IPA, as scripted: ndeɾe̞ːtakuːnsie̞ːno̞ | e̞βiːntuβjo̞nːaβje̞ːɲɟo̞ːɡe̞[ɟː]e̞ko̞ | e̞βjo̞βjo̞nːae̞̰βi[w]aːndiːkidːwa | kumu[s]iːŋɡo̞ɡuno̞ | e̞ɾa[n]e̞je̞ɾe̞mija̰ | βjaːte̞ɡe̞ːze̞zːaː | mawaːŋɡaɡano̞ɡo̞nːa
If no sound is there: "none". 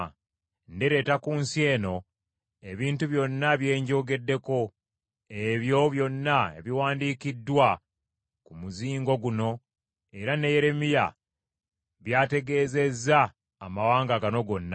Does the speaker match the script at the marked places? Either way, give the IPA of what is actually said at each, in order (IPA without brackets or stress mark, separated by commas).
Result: dː, w, z, n